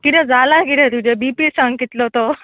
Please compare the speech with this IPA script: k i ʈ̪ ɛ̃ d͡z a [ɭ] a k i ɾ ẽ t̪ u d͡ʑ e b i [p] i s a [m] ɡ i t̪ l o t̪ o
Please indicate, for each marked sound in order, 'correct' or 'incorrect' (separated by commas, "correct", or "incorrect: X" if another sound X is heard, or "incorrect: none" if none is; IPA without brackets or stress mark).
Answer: incorrect: l, correct, incorrect: ŋ